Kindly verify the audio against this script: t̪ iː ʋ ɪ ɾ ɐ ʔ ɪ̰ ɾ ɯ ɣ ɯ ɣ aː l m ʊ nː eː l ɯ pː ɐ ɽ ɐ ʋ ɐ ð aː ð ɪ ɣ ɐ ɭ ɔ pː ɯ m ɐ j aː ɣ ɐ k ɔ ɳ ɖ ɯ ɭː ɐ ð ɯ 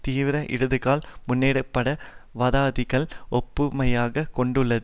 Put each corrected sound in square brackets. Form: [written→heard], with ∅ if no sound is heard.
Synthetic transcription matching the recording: t̪ iː ʋ ɪ ɾ ɐ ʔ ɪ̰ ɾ ɯ [ɣ→ð] ɯ ɣ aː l m ʊ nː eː [l→ɽ] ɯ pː ɐ ɽ ɐ ʋ ɐ ð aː ð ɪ ɣ ɐ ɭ ɔ pː ɯ m ɐ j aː ɣ ɐ k ɔ ɳ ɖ ɯ ɭː ɐ ð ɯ